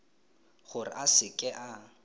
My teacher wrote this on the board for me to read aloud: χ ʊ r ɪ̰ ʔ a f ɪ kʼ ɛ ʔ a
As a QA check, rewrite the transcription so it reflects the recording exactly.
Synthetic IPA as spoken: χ ʊ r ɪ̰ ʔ a s ɪ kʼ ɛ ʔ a